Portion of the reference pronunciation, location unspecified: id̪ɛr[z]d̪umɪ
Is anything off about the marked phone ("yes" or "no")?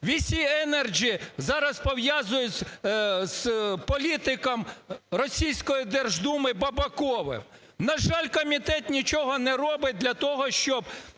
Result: yes